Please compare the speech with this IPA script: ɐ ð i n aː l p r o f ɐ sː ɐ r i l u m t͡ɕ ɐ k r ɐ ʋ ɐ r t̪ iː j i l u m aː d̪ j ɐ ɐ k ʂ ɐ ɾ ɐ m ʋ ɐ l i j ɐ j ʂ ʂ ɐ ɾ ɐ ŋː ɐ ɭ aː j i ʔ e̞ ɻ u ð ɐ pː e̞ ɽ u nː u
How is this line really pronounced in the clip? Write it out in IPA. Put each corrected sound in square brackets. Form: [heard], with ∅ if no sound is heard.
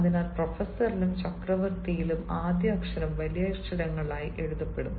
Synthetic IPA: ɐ ð i n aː l p r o f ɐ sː ɐ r i l u m t͡ɕ ɐ k r ɐ ʋ ɐ r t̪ [i] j i l u m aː d̪ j ɐ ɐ k ʂ ɐ ɾ ɐ m ʋ ɐ l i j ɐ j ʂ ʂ ɐ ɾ ɐ ŋː ɐ ɭ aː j i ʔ e̞ ɻ u ð ɐ pː e̞ ɽ u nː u